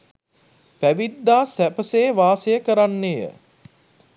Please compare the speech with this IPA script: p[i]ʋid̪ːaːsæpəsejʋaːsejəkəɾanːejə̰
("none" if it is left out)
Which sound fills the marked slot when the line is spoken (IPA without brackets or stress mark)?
æ